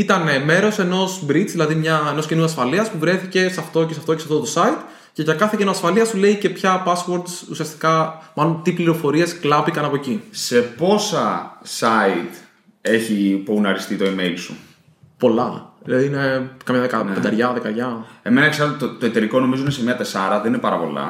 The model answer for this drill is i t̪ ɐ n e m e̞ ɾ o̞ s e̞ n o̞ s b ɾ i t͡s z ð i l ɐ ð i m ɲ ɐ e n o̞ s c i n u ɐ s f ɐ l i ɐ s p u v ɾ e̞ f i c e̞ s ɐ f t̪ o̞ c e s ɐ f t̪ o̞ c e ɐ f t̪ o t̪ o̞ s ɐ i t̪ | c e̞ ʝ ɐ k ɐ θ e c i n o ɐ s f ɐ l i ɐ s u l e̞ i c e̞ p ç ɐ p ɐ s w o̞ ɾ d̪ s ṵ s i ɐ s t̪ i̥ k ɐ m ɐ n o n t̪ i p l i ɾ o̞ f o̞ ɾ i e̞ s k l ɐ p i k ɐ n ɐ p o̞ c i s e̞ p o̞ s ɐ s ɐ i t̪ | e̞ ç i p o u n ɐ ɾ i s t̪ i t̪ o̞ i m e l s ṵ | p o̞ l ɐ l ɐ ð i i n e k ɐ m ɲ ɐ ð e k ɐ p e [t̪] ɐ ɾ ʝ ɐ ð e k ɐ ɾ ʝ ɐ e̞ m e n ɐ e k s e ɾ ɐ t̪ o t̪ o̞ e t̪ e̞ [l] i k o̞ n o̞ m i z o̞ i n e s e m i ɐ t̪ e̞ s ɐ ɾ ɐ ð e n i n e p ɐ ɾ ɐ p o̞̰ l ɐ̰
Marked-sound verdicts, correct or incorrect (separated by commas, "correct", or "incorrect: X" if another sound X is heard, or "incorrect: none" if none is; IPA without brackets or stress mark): incorrect: d̪, incorrect: ɾ